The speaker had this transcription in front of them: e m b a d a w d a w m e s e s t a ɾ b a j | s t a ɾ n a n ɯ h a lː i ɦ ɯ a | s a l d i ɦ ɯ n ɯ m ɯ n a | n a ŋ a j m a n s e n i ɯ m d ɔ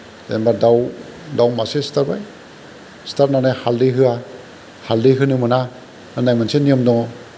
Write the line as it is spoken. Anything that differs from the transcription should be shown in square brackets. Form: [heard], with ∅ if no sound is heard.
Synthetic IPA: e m b a d a w d a w m [a] s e s t a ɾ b a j | s t a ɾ n a n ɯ h a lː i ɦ ɯ a | [h] a l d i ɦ ɯ n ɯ m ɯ n a | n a [n] a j m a n s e n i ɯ m d ɔ